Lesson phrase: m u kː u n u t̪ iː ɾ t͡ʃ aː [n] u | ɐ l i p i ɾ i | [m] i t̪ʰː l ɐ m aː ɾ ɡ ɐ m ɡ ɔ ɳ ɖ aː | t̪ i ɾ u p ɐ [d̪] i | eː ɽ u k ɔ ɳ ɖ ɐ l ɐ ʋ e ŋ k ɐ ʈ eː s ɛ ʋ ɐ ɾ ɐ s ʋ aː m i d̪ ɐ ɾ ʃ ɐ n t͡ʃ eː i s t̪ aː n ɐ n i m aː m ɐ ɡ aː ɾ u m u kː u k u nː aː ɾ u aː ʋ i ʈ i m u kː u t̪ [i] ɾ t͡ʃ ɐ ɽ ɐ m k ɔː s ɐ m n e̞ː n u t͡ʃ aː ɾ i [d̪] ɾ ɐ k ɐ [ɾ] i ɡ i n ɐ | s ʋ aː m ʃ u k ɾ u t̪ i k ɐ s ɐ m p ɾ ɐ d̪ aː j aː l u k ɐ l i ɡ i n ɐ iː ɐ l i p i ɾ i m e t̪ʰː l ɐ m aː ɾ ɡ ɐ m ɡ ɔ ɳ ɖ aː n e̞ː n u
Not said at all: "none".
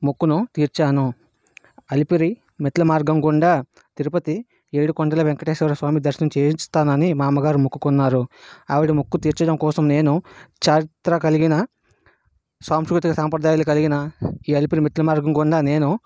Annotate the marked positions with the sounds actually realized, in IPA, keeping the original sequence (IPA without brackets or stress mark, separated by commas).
n, m, t̪, iː, t̪, l